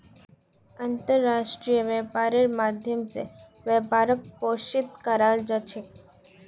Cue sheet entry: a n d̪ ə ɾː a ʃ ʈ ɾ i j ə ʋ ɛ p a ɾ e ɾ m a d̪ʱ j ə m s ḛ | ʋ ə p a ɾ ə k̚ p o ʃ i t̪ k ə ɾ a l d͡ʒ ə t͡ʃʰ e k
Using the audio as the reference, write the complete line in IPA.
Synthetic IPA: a n t̪ ə ɾː a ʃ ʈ ɾ i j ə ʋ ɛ p a ɾ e ɾ m a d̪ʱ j ə m s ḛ | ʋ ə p a ɾ ə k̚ p o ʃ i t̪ k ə ɾ a l d͡ʒ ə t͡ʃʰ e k